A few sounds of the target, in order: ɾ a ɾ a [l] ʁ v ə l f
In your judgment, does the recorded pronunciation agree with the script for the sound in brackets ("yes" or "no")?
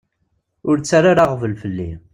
no